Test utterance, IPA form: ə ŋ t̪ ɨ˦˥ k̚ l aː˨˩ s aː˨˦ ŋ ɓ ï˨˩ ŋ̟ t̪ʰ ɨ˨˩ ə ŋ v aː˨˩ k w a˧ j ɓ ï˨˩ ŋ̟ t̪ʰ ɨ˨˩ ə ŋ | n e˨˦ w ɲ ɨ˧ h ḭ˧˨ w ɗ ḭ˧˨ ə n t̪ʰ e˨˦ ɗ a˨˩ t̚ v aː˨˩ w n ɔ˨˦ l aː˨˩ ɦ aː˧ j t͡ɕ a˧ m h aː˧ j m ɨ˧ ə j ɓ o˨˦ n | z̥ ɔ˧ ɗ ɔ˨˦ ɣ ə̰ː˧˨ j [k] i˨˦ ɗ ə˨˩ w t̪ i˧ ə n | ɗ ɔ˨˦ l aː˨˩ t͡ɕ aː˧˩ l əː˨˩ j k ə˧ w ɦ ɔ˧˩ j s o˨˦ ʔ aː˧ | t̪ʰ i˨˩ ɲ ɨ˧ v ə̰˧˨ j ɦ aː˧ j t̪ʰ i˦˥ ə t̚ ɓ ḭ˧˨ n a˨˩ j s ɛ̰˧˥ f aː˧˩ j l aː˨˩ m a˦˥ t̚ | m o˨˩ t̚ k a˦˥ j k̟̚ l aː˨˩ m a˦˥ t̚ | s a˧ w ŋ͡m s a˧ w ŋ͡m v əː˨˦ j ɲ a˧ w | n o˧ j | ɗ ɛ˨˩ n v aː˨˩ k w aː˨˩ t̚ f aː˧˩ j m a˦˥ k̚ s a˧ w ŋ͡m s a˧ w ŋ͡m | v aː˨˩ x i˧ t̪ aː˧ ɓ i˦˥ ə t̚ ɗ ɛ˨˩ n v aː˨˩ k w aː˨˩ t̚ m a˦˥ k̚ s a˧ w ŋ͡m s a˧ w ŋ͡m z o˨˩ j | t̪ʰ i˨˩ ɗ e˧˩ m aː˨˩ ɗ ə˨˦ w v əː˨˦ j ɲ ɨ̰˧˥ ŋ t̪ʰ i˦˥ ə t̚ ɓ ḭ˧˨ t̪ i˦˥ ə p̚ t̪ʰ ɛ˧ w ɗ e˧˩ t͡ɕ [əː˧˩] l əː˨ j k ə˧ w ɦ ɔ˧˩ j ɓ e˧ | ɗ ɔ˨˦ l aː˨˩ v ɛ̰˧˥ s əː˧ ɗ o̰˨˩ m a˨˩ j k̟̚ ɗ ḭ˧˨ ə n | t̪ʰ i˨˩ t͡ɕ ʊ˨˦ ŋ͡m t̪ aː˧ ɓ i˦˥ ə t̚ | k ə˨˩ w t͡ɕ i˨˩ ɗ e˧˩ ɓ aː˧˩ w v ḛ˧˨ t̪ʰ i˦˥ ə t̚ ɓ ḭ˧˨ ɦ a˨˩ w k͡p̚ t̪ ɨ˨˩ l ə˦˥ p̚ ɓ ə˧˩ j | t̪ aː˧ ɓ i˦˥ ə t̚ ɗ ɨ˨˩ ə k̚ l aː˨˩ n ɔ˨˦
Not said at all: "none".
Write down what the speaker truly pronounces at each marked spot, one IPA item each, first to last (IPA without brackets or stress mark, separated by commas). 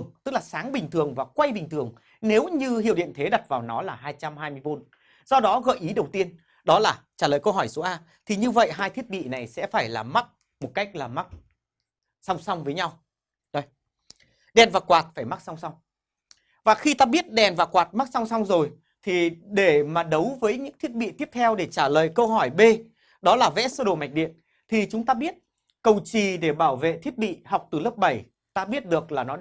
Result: ʔ, aː˧˩